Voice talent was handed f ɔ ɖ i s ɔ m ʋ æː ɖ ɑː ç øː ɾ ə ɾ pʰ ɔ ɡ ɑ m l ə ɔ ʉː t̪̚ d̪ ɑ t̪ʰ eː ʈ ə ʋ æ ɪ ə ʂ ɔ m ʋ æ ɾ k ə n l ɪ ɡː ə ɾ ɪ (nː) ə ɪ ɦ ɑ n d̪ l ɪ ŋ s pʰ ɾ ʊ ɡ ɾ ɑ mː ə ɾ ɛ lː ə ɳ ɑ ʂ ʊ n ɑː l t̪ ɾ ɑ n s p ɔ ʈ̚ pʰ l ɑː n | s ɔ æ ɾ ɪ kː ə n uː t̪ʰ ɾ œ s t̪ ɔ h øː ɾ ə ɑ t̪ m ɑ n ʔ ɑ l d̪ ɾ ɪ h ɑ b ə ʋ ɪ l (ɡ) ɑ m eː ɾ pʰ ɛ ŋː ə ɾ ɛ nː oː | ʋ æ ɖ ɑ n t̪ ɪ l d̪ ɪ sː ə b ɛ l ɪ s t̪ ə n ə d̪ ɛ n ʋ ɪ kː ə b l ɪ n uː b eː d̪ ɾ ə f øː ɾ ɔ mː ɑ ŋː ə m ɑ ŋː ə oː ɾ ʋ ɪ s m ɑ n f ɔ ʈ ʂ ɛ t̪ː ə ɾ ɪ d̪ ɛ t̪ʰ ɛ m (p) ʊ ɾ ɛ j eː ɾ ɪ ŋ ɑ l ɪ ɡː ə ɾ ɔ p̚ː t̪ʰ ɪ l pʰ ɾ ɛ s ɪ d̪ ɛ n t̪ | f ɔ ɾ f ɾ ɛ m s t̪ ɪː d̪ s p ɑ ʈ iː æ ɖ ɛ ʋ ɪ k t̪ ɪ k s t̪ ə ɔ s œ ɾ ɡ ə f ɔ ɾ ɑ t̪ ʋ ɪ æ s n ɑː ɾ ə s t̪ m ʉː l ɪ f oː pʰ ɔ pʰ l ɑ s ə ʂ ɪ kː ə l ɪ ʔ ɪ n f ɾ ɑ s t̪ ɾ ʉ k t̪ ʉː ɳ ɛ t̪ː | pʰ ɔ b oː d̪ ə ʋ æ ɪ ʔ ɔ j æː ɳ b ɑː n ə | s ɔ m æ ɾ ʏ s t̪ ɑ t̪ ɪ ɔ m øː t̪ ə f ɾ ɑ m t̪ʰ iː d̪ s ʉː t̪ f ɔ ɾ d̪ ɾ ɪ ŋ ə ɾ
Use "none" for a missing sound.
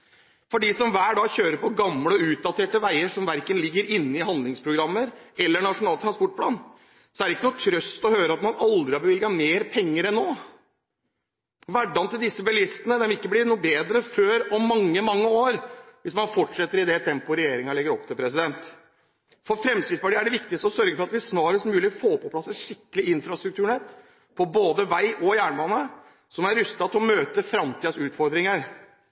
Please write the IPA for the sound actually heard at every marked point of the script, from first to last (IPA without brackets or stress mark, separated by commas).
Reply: nː, ɡ, p